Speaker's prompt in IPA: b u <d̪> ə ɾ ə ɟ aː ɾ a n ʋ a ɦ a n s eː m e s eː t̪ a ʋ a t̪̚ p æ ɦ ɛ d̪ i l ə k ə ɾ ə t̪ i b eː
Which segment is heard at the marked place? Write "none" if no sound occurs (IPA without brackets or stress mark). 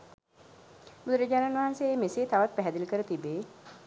d̪